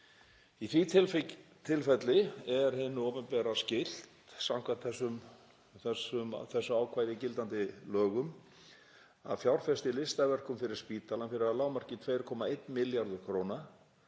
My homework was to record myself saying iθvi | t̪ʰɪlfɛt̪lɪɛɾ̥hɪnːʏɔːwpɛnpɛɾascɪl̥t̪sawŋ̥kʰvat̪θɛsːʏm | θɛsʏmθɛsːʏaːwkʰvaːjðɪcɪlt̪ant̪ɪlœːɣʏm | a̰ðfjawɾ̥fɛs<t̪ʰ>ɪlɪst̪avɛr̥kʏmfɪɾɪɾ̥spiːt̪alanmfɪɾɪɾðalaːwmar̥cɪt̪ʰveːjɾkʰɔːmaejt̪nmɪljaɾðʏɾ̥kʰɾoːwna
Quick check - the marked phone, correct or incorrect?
incorrect: t̪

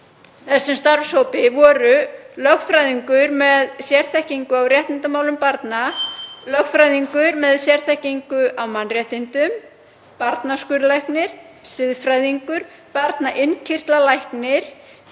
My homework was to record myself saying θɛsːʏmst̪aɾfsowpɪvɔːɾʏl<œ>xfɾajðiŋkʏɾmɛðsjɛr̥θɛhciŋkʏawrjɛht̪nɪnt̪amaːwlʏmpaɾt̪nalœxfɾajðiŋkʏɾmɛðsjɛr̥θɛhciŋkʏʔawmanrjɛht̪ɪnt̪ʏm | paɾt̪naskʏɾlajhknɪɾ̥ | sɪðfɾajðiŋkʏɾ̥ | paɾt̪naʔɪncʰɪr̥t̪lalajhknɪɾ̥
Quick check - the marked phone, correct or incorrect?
correct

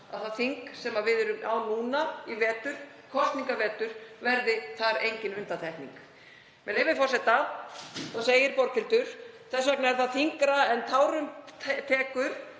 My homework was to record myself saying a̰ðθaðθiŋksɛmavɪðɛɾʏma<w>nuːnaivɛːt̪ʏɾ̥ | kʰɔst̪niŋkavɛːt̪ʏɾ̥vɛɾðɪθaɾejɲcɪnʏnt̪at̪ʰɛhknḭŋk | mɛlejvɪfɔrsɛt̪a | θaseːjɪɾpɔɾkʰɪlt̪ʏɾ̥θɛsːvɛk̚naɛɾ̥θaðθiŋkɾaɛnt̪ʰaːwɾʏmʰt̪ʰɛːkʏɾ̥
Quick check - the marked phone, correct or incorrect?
correct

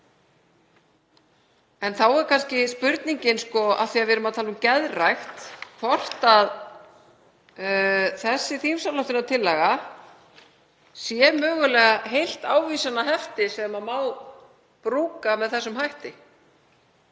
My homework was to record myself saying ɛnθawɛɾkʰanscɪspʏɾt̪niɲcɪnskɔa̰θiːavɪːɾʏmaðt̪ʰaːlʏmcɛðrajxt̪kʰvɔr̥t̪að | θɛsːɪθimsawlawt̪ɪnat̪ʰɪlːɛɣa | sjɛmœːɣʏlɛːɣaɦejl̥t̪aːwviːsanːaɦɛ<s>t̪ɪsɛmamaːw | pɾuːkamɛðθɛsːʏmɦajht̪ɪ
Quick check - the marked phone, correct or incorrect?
incorrect: f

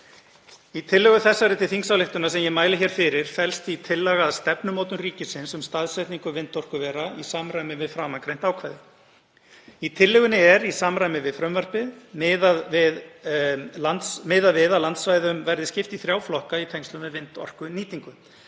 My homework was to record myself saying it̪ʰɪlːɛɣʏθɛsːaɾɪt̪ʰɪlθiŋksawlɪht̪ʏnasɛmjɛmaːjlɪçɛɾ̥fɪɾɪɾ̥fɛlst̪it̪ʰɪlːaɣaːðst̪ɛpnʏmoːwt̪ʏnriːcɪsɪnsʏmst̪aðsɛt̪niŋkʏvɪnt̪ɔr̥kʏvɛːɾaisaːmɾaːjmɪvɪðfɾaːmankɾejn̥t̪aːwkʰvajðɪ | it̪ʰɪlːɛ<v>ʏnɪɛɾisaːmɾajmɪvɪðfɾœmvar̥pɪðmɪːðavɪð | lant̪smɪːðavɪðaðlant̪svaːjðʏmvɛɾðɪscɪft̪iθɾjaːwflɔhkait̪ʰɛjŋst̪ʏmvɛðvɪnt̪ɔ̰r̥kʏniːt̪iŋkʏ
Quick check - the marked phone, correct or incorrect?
incorrect: ɣ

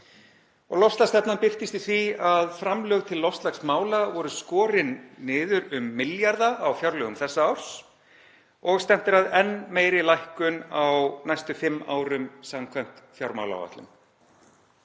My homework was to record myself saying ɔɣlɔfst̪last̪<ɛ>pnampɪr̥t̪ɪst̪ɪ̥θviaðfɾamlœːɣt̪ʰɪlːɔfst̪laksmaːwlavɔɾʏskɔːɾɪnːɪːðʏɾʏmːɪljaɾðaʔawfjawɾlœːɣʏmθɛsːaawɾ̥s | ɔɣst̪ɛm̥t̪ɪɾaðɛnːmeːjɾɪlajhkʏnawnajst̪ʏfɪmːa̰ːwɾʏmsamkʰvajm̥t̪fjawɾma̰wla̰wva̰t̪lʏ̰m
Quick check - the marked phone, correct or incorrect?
correct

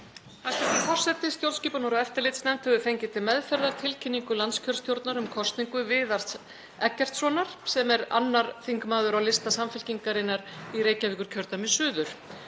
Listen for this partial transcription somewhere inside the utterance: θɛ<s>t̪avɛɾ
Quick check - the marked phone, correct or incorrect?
correct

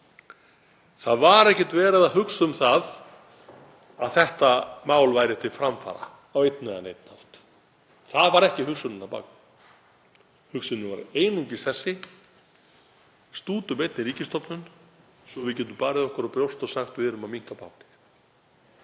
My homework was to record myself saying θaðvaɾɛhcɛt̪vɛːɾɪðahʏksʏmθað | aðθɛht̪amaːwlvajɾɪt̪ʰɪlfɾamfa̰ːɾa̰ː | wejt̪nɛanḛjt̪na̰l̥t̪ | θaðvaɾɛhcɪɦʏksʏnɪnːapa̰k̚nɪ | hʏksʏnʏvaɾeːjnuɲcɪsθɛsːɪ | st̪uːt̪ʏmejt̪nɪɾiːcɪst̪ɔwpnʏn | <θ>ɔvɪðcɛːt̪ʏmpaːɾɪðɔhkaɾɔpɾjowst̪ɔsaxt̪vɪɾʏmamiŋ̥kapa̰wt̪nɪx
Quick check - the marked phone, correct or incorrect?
incorrect: s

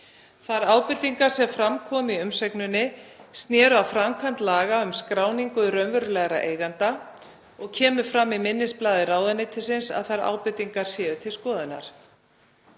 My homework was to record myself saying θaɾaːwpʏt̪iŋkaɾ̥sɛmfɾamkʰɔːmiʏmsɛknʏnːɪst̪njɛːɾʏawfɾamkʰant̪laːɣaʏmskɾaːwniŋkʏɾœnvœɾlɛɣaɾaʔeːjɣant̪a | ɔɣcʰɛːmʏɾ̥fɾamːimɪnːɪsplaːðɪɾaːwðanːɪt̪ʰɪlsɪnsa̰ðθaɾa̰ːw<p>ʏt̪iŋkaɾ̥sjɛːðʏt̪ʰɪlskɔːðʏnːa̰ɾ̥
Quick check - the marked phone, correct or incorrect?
correct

